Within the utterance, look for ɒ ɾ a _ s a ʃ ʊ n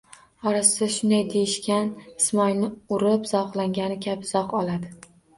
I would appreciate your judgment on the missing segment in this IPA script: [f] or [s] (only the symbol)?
s